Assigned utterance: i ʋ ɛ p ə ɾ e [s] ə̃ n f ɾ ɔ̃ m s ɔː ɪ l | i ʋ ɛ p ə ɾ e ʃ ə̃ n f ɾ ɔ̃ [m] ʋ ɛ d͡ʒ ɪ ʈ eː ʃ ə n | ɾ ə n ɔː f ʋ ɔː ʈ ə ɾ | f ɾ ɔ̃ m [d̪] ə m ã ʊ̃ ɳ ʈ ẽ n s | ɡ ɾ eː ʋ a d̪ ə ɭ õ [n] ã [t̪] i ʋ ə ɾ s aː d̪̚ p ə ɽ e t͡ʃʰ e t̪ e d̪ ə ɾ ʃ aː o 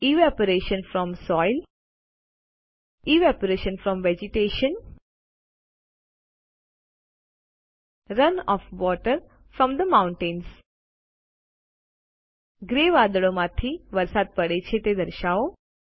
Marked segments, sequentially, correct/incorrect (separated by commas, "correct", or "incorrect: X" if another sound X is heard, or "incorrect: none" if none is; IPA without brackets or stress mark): incorrect: ʃ, correct, correct, incorrect: m, incorrect: t̪ʰ